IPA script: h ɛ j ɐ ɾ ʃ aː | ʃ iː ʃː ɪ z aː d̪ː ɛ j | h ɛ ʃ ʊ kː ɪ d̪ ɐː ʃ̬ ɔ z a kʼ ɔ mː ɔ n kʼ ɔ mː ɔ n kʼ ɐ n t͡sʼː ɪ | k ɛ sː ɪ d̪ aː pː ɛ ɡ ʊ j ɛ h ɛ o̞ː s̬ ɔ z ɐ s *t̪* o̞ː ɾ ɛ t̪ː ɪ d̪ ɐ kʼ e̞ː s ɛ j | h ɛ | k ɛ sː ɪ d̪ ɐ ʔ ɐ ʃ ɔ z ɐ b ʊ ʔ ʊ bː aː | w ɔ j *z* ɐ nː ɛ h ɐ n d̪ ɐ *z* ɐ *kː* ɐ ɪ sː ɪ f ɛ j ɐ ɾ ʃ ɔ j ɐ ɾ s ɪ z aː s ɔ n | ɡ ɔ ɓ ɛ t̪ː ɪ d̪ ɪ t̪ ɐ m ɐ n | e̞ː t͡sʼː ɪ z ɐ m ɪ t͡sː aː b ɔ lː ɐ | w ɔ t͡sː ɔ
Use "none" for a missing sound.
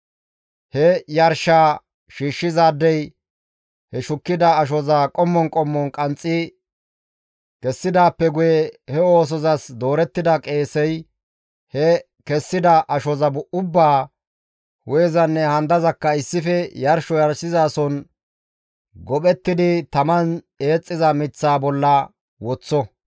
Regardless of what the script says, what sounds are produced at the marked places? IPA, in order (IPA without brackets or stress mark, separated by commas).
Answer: d̪, z, z, kː